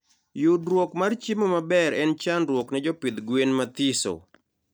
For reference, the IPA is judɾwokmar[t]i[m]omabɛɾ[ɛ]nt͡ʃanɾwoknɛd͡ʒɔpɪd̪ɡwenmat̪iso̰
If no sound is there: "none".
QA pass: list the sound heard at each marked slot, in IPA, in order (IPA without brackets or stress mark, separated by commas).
t͡ʃ, m, ɛ